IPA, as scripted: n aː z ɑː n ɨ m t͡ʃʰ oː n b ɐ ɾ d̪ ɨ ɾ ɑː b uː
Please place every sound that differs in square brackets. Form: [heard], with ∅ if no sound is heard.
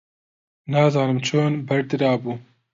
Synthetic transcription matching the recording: n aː z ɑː n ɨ m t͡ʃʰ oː n b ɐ ɾ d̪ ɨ ɾ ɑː b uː

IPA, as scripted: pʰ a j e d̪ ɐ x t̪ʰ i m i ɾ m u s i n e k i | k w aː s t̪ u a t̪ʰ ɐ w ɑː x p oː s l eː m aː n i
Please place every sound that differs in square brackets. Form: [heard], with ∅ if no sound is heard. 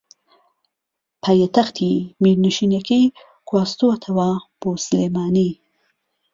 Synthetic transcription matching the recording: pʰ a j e [t̪] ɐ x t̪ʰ i m i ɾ [n] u [ʃ] i n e k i | k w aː s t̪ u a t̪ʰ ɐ w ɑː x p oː s l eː m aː n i

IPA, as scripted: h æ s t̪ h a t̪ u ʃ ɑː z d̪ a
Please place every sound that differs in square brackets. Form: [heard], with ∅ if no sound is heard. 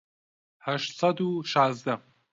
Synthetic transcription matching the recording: h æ [ʃ] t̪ [s] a [d̪] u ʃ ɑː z d̪ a

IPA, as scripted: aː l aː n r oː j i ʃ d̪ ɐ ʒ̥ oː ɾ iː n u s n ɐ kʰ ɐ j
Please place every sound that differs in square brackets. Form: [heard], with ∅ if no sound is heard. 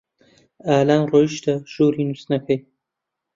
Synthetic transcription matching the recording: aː l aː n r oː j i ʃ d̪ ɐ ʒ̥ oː ɾ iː n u s n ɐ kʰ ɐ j

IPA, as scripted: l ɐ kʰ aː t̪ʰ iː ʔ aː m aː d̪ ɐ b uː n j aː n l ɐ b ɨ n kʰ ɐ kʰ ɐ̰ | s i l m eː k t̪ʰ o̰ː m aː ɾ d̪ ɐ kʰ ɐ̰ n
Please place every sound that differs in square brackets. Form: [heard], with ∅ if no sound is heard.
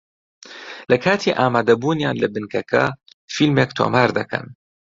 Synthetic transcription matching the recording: l ɐ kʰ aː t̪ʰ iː ʔ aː m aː d̪ ɐ b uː n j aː n l ɐ b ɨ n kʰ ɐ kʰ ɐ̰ | [f] i l m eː k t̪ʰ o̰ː m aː ɾ d̪ ɐ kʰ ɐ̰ n

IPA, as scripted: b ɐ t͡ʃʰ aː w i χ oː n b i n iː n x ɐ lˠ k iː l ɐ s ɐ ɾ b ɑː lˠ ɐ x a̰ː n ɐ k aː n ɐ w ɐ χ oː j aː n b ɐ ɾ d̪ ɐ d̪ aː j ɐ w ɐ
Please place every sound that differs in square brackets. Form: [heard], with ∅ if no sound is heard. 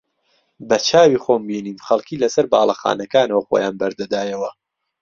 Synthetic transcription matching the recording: b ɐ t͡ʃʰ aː w i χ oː [m] b i n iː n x ɐ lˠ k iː l ɐ s ɐ ɾ b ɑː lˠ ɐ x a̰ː n ɐ k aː n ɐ w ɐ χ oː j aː n b ɐ ɾ d̪ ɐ d̪ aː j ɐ w ɐ

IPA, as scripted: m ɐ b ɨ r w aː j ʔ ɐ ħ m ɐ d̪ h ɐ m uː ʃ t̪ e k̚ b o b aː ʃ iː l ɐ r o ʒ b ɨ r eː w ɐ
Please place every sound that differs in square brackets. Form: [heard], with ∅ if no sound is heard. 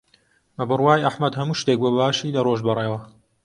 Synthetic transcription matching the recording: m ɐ b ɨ r w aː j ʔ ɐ ħ m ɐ d̪ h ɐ m uː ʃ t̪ e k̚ b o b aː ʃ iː l ɐ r o ʒ b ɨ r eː w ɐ

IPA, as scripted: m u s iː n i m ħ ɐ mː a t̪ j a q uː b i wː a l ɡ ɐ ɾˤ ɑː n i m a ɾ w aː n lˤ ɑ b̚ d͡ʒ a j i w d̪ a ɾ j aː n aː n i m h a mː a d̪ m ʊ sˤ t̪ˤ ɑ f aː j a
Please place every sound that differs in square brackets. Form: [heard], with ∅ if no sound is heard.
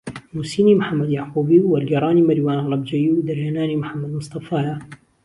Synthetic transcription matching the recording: m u s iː n i m ħ [a] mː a [d̪] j a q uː b i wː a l ɡ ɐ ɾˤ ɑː n i m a ɾ w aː n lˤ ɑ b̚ d͡ʒ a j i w d̪ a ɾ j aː n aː n i m [ħ] a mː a d̪ m ʊ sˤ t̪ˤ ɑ f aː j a

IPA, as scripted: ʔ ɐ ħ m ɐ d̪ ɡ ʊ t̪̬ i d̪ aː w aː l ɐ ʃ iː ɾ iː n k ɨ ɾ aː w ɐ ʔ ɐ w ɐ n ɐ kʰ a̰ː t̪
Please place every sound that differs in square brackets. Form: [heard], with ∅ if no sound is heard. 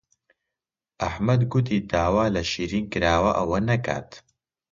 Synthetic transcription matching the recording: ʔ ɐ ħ m ɐ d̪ ɡ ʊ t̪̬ i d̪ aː w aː l ɐ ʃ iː ɾ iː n k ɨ ɾ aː w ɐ ʔ ɐ w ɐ n ɐ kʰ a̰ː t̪

